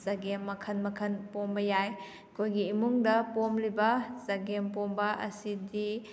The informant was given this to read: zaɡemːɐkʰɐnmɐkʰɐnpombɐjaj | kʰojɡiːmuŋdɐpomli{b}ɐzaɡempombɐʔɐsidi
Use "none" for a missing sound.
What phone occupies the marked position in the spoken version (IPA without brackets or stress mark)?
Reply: b